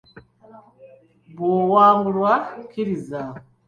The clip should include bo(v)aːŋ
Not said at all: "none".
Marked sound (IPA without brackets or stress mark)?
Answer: w